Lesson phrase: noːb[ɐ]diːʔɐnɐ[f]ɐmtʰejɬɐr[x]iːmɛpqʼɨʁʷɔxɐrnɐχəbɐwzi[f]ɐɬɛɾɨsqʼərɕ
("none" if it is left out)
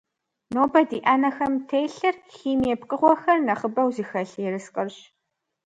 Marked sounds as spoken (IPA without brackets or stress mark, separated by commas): ɐ, x, x, x